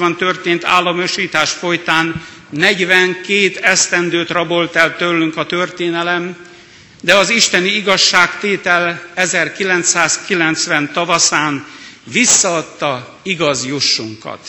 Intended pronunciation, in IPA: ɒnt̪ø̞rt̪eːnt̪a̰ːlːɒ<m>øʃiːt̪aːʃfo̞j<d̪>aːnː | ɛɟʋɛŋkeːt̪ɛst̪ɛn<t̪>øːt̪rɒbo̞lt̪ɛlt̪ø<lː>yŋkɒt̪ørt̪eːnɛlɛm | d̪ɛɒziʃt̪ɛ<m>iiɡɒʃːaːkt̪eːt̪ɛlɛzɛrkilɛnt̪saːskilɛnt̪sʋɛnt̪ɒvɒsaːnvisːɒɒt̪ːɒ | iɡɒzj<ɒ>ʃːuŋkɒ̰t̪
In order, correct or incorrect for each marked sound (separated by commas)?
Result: correct, incorrect, incorrect, correct, incorrect, incorrect